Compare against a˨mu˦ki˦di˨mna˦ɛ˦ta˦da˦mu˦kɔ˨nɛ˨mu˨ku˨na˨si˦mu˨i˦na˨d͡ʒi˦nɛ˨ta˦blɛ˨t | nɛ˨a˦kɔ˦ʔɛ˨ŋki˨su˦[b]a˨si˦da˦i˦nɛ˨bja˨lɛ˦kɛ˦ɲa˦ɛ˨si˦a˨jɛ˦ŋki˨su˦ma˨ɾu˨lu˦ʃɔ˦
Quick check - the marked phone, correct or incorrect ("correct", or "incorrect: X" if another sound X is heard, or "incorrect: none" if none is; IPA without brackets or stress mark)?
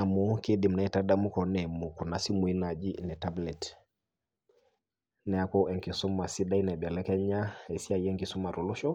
incorrect: m